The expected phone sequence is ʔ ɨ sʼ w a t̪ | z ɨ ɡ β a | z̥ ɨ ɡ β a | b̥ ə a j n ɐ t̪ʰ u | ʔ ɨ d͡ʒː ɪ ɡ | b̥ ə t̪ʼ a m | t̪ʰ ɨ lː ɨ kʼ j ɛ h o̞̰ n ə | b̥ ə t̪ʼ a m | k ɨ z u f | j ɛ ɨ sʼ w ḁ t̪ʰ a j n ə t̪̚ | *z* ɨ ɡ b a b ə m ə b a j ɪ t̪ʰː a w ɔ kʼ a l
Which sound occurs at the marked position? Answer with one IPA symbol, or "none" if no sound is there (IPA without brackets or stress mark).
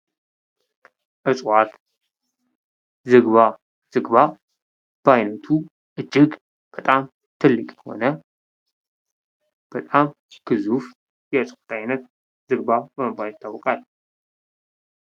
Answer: z